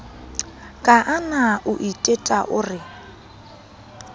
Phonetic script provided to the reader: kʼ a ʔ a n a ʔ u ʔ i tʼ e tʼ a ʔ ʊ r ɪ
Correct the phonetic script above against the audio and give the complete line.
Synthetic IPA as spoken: kʼ a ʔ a n a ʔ ʊ ʔ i tʼ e tʼ a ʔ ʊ r ɪ